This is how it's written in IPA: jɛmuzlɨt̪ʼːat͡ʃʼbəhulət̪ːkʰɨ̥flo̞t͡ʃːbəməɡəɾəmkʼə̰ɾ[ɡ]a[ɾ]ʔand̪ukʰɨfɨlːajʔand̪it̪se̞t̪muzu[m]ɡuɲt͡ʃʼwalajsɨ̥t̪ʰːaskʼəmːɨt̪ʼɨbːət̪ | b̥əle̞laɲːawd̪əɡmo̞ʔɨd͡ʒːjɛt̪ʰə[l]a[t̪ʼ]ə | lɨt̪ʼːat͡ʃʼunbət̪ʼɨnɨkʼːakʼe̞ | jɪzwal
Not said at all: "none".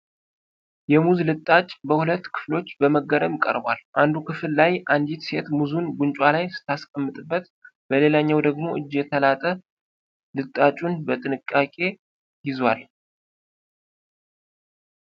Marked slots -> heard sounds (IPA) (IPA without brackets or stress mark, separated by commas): b, l, n, l, t̪ʼ